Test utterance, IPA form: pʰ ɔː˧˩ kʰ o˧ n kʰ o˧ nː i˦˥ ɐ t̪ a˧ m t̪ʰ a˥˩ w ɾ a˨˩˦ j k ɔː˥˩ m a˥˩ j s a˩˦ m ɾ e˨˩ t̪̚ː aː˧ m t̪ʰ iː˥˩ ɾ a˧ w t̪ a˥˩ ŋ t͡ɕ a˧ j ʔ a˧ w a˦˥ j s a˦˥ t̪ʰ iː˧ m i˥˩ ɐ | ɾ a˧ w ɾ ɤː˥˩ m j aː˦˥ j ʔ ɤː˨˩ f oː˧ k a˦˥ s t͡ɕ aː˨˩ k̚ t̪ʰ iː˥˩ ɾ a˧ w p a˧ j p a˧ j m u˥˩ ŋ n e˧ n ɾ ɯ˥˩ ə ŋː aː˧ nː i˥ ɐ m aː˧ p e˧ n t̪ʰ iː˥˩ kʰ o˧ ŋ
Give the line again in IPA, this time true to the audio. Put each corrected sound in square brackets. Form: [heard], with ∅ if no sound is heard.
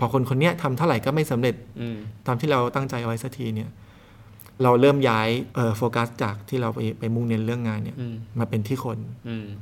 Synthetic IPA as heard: pʰ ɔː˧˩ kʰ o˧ n kʰ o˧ nː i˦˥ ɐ [t̪ʰ] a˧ m t̪ʰ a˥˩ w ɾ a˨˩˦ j k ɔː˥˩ m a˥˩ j s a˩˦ m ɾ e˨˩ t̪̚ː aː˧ m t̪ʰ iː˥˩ ɾ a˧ w t̪ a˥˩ ŋ t͡ɕ a˧ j ʔ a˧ w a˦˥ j s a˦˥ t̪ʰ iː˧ [n] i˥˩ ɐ | ɾ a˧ w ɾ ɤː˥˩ m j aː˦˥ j ʔ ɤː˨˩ f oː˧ k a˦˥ s t͡ɕ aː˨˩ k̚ t̪ʰ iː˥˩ ɾ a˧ w p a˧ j p a˧ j m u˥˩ ŋ n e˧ n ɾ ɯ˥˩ ə ŋː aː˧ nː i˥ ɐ m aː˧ p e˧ n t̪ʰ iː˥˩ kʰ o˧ [n]